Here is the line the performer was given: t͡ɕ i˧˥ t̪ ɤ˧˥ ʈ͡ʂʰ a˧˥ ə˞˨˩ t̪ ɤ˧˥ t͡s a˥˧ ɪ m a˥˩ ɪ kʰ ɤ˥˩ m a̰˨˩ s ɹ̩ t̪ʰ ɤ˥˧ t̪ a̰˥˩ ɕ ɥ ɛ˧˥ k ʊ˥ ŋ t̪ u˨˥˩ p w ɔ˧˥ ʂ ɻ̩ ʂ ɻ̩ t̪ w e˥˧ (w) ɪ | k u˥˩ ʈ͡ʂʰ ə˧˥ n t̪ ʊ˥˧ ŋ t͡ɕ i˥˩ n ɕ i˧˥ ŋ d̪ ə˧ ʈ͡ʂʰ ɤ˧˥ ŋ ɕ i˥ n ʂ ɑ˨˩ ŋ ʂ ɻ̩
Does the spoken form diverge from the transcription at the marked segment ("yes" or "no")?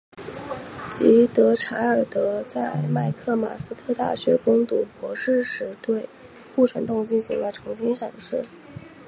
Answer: yes